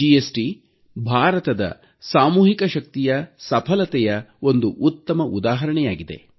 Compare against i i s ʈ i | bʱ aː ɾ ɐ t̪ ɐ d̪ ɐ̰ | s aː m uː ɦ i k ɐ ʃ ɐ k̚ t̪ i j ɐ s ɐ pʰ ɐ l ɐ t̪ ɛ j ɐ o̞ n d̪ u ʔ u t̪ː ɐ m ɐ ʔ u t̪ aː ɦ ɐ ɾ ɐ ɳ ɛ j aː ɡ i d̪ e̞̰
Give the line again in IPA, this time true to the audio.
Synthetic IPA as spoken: i e s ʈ i | bʱ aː ɾ ɐ t̪ ɐ d̪ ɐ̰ | s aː m uː ɦ i k ɐ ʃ ɐ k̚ t̪ i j ɐ s ɐ pʰ ɐ l ɐ t̪ ɛ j ɐ o̞ n d̪ u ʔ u t̪ː ɐ m ɐ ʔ u d̪ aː ɦ ɐ ɾ ɐ ɳ ɛ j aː ɡ i d̪ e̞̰